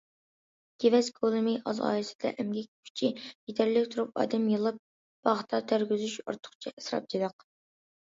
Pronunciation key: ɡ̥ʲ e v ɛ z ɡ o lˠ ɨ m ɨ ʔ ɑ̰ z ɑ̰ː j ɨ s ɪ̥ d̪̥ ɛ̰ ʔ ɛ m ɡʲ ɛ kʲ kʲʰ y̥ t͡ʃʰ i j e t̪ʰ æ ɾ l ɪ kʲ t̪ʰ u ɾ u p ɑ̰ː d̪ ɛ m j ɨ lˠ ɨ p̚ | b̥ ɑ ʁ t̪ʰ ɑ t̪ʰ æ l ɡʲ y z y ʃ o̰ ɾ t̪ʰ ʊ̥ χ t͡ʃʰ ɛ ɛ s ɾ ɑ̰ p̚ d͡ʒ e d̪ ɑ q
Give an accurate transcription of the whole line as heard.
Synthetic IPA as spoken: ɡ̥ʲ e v ɛ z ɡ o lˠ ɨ m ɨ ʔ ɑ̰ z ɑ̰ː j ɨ s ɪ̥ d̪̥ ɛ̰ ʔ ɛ m ɡʲ ɛ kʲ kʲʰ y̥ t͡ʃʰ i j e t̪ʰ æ ɾ l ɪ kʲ t̪ʰ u ɾ u p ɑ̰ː d̪ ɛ m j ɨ lˠ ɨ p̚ | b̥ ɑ ʁ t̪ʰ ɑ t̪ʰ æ ɾ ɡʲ y z y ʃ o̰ ɾ t̪ʰ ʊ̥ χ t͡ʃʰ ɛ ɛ s ɾ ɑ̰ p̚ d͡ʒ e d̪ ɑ q